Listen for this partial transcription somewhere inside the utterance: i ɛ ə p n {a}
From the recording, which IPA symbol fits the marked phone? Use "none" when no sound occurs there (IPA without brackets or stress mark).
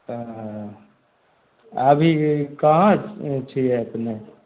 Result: e